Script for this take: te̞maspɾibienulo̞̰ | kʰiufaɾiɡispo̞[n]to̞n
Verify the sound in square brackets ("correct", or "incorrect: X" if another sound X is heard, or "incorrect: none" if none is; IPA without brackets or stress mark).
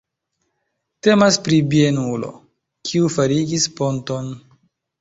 correct